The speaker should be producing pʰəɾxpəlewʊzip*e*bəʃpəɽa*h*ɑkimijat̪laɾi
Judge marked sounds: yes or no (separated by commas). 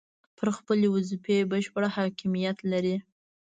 yes, yes